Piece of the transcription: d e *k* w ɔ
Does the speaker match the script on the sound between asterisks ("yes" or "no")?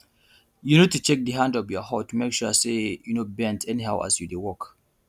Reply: no